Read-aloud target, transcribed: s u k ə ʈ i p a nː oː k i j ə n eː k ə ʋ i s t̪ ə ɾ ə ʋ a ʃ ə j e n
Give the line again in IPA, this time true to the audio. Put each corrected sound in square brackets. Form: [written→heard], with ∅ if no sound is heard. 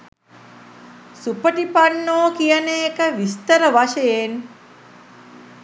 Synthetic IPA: s u [k→p] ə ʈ i p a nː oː k i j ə n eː k ə ʋ i s t̪ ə ɾ ə ʋ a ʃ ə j e n